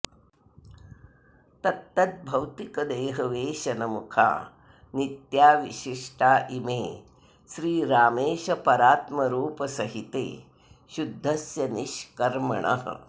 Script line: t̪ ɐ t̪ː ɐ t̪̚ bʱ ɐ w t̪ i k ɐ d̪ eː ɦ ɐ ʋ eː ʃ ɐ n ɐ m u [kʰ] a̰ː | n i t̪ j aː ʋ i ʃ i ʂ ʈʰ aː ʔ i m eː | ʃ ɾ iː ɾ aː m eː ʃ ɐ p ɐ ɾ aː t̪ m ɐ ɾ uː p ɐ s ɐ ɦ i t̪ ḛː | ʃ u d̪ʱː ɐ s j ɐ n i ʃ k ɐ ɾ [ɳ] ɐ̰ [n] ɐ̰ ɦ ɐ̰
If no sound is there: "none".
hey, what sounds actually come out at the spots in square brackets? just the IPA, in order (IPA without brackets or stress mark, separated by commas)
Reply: kʰ, m, ɳ